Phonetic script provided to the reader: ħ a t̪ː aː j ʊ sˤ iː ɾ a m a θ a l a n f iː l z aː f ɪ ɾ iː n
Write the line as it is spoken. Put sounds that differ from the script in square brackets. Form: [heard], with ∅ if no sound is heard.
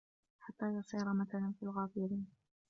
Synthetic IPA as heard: ħ a t̪ː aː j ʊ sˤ iː ɾ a m a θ a l a n f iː l [ɣ] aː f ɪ ɾ iː n